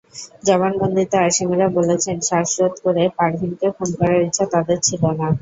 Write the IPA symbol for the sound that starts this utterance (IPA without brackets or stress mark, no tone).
d͡ʑ